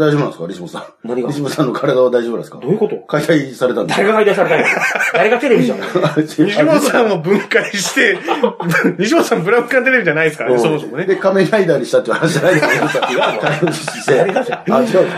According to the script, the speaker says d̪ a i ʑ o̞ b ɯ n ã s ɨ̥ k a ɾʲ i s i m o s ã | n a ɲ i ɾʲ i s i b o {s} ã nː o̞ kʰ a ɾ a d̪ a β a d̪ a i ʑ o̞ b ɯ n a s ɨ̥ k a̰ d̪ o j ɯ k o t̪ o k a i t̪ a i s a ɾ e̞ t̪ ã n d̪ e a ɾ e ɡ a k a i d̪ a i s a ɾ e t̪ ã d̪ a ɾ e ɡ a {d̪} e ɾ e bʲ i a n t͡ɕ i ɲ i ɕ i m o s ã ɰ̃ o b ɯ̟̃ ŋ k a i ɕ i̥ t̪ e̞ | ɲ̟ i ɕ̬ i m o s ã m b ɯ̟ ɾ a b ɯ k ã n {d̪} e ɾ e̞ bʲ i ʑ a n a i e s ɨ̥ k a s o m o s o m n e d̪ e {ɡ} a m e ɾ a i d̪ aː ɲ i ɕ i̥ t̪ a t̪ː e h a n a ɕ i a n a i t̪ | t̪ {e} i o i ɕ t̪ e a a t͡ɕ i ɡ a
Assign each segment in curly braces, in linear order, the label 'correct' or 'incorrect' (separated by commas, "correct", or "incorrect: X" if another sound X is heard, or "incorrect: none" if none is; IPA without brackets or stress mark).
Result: correct, incorrect: t̪, incorrect: t̪, incorrect: k, incorrect: a